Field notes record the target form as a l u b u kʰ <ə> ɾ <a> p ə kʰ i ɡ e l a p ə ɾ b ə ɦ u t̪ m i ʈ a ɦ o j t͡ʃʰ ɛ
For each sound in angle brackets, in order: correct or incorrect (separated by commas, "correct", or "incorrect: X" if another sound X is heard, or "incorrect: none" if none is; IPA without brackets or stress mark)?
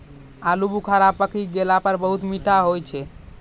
incorrect: a, correct